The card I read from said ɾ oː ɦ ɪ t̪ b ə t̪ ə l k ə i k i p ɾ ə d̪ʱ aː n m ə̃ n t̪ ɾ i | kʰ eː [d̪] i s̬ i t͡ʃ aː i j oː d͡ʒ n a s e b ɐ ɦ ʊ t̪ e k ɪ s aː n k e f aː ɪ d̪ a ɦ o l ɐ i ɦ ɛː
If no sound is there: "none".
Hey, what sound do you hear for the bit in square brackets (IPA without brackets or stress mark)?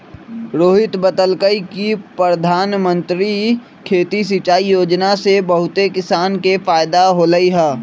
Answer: t̪